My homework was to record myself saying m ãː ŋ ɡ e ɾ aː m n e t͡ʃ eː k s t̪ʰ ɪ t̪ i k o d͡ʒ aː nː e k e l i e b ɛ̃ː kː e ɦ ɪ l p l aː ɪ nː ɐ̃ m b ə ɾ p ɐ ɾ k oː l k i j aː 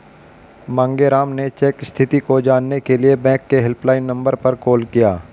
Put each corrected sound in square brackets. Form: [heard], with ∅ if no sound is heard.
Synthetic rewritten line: m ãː ŋ ɡ e ɾ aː m n e t͡ʃ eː k s t̪ʰ ɪ t̪ i k o d͡ʒ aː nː e k e l i e b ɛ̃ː kː e ɦ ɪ l p l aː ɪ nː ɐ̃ m b ə ɾ p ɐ ɾ k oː l k i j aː